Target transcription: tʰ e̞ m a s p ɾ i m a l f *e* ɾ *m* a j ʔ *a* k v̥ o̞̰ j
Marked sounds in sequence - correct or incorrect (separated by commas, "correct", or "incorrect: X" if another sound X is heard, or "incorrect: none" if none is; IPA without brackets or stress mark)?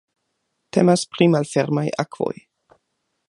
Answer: correct, correct, correct